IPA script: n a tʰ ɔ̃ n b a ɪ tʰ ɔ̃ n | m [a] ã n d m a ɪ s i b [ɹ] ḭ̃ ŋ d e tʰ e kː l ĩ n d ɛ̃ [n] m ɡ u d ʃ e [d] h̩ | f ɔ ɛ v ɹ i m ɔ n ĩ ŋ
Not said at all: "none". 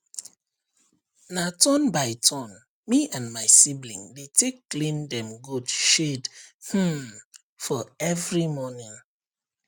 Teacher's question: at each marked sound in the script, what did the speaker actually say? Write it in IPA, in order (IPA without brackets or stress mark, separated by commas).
i, l, none, d